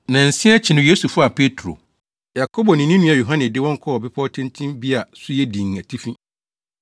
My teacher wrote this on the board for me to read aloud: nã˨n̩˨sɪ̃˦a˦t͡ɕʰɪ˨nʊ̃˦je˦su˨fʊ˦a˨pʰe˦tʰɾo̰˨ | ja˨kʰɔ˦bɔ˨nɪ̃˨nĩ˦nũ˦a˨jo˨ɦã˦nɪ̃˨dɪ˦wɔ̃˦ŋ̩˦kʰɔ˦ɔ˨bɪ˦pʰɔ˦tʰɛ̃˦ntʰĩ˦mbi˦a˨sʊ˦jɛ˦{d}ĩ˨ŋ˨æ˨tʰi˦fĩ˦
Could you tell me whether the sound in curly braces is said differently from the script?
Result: no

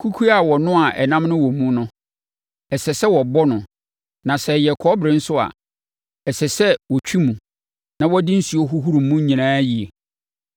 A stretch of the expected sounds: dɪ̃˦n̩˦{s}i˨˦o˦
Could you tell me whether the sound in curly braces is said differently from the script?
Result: no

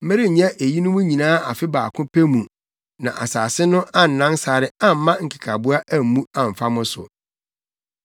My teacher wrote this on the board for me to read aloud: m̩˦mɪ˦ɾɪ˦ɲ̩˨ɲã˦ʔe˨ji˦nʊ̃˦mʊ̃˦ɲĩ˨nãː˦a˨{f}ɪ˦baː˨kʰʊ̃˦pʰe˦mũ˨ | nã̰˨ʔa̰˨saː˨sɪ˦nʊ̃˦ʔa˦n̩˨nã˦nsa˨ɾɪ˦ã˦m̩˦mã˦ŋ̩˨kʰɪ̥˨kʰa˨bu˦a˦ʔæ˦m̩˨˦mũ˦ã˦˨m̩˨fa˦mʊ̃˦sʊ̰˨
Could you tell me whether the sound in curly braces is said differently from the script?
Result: no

